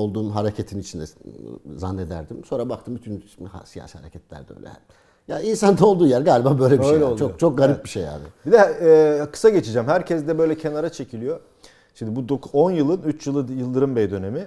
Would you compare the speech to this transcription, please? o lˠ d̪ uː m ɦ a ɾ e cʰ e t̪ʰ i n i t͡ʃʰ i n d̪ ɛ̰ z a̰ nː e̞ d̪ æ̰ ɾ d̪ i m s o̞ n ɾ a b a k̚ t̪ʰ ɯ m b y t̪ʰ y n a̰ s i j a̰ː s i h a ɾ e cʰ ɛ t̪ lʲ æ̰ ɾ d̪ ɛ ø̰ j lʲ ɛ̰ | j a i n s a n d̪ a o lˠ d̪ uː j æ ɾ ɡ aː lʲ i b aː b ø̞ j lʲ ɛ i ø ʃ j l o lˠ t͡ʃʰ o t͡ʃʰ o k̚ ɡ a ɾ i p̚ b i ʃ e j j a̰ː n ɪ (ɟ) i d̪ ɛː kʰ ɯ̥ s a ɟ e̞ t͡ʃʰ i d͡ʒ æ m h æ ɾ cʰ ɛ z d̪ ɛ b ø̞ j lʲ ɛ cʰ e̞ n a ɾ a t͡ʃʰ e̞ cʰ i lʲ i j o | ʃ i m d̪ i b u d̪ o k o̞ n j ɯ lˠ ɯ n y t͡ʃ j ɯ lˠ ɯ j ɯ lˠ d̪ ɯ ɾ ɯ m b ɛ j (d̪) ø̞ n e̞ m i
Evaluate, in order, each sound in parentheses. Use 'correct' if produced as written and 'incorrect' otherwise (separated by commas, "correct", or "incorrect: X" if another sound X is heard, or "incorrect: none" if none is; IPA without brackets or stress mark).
incorrect: b, correct